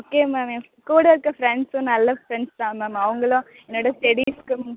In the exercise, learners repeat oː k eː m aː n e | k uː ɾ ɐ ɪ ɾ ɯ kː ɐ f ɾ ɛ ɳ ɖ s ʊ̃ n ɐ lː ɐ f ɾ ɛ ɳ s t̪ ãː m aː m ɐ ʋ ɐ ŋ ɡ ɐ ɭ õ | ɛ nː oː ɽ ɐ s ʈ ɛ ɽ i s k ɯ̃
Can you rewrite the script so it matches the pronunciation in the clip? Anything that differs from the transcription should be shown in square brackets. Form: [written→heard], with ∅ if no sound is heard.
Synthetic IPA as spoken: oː k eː m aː [n→m] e | k uː [ɾ→ɽ] ɐ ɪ ɾ ɯ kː ɐ f ɾ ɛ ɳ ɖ s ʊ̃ n ɐ lː ɐ f ɾ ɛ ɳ s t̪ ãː m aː m ɐ ʋ ɐ ŋ ɡ ɐ ɭ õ | ɛ nː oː ɽ ɐ s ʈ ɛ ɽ i s k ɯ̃